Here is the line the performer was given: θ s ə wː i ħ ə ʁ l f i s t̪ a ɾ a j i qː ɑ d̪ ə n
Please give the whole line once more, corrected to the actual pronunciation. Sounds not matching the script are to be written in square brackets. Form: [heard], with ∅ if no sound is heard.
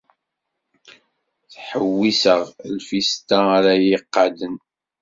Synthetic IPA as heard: θ [ħ] ə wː i [s] ə ʁ l f i s t̪ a ɾ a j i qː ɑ d̪ ə n